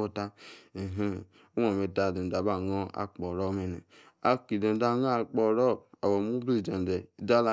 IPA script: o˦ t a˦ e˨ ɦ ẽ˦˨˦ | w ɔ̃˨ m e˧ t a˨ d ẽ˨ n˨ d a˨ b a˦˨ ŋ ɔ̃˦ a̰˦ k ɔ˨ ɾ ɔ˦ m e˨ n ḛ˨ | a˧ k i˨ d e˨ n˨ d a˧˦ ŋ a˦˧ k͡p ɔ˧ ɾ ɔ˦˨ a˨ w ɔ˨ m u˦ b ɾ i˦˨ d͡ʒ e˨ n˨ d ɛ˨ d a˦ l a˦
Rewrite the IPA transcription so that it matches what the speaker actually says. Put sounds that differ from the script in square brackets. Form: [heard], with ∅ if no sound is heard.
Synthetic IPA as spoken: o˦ t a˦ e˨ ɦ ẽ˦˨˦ | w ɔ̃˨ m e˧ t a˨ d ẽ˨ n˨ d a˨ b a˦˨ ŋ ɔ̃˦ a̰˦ [k͡p] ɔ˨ ɾ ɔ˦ m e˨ n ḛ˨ | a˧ k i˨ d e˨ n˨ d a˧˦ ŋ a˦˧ k͡p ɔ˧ ɾ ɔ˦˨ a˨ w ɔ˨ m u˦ b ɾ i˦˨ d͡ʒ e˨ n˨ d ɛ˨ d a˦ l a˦

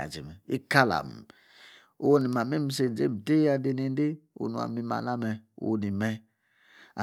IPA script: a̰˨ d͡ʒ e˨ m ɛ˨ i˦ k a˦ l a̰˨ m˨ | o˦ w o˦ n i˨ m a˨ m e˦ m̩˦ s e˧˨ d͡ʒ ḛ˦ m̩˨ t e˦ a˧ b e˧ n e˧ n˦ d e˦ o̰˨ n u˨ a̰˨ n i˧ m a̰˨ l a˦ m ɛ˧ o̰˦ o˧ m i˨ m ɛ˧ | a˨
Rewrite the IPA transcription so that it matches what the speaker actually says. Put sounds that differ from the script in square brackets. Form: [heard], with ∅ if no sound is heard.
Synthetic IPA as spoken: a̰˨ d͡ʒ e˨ m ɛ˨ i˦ k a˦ l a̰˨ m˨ | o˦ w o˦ n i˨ m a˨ m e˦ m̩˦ s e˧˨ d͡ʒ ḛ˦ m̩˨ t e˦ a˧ [d] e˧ n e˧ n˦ d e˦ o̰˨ n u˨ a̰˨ [m] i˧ m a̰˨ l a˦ m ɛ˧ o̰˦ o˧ [n] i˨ m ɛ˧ | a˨

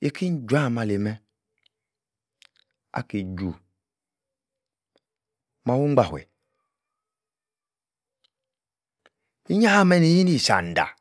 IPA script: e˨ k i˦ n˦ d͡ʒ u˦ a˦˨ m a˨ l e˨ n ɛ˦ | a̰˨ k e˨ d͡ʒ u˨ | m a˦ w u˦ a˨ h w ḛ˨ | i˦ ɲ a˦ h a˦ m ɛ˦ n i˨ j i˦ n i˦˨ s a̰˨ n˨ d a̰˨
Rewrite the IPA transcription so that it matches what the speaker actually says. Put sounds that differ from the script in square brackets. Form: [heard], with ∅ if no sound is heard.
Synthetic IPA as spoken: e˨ k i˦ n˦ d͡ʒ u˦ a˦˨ m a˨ l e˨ [m] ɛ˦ | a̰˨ k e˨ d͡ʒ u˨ | m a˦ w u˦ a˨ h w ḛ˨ | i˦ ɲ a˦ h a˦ m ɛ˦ n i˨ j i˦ n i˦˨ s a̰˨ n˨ d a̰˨

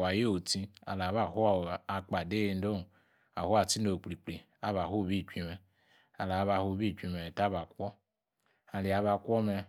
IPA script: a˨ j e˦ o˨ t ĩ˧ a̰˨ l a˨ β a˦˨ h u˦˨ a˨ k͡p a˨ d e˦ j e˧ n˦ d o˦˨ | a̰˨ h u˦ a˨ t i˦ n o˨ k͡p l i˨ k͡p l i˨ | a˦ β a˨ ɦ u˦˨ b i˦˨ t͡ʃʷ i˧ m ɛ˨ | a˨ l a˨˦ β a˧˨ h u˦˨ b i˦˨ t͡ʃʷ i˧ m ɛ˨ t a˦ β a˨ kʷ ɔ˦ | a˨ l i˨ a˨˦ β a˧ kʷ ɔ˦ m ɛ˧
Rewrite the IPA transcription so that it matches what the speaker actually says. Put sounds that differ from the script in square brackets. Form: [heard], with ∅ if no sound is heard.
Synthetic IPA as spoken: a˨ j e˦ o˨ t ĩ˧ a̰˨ l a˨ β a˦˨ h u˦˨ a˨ k͡p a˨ d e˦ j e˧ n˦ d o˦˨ | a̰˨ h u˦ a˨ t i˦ n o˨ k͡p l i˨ k͡p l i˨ | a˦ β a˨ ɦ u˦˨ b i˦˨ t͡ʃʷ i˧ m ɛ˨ | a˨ l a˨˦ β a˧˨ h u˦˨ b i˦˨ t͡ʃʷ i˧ m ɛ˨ t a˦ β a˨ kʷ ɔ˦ | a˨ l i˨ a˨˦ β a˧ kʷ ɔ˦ m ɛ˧

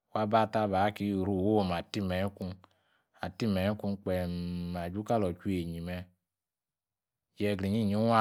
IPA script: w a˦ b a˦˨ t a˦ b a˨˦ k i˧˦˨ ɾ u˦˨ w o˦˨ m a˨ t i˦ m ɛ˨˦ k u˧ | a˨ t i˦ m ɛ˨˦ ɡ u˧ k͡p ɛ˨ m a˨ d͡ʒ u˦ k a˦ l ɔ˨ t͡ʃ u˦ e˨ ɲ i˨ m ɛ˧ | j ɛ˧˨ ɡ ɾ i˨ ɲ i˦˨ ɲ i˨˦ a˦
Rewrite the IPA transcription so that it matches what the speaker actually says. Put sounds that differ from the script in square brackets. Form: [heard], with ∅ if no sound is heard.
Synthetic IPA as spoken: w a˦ b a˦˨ t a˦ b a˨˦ k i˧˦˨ ɾ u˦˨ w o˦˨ m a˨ t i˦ m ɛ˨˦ k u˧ | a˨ t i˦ m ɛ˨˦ [k] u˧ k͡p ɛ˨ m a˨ d͡ʒ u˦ k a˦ l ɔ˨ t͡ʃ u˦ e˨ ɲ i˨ m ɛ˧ | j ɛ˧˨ ɡ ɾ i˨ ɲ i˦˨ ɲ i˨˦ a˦

